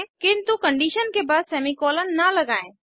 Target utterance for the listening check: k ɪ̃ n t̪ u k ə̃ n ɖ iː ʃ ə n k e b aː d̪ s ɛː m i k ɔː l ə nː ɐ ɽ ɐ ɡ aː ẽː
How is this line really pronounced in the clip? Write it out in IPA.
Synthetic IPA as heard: k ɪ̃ n t̪ u k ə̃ ɳ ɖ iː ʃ ə n k e b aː d̪ s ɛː m i k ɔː l ə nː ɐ l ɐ ɡ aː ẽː